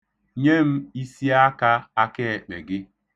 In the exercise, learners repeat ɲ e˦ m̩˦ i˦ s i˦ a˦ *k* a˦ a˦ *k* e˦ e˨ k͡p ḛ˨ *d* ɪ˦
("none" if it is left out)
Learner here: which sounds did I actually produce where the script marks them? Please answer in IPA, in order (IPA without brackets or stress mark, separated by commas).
k, k, ɡ